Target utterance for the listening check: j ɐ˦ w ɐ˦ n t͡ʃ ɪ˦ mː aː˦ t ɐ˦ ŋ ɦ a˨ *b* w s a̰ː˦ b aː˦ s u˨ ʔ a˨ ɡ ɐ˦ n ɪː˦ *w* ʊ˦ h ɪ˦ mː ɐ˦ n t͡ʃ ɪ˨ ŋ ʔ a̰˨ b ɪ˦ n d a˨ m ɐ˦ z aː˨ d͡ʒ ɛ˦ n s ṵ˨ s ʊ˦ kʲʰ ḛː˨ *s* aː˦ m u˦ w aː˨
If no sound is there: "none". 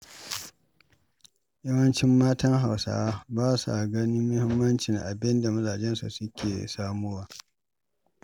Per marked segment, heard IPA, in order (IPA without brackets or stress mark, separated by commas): none, none, s